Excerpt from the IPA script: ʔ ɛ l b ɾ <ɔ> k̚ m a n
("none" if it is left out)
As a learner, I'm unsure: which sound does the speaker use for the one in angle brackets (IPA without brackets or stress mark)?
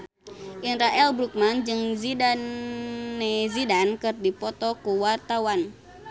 u